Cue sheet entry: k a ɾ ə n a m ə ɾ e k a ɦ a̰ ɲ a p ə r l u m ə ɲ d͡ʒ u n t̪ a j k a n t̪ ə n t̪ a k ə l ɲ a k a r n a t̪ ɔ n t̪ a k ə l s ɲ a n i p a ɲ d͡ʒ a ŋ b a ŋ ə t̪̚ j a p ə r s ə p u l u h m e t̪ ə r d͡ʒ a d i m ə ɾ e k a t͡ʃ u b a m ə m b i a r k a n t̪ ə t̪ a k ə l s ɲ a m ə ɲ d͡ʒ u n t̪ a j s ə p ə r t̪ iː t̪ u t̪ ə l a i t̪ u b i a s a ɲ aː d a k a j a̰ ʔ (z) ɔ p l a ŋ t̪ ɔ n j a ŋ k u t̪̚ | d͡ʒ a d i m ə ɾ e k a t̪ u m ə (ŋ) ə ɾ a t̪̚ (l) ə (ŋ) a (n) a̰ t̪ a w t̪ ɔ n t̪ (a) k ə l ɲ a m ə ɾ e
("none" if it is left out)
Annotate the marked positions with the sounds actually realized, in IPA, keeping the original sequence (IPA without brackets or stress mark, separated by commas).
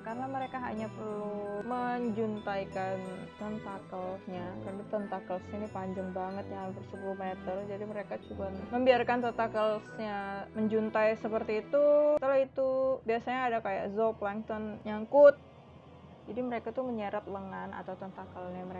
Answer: z, ɲ, l, ŋ, n, a